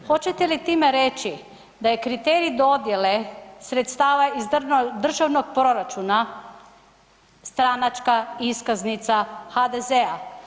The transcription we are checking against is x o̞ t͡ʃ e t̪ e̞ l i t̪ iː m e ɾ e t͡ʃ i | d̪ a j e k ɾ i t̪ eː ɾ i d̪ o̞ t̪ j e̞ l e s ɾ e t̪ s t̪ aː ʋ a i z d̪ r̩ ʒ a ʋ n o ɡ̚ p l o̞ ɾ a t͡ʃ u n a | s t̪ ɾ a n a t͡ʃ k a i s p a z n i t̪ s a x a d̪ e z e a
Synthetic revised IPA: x o̞ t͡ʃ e t̪ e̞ l i t̪ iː m e ɾ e t͡ʃ i | d̪ a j e k ɾ i t̪ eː ɾ i d̪ o̞ d̪ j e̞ l e s ɾ e t̪ s t̪ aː ʋ a i z d̪ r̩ ʒ a ʋ n o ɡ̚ p ɾ o̞ ɾ a t͡ʃ u n a | s t̪ ɾ a n a t͡ʃ k a i s k a z n i t̪ s a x a d̪ e z e a